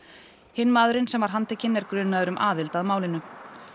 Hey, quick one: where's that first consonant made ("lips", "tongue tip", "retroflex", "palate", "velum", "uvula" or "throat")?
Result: throat